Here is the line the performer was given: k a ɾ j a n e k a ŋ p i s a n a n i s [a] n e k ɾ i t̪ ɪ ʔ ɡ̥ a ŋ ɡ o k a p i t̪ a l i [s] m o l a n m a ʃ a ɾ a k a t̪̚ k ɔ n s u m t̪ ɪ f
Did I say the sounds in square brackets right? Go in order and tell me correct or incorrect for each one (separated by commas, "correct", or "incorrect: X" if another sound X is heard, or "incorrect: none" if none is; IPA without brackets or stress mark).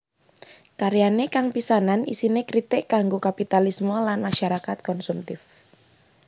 incorrect: i, correct